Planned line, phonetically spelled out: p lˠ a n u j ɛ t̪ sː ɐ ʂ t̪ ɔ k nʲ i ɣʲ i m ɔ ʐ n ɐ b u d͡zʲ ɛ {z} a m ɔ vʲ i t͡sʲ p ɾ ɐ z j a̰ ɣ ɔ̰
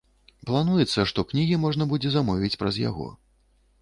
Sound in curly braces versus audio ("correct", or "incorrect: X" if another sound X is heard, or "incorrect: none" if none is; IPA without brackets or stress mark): correct